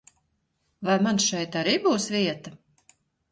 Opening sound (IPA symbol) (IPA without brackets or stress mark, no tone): v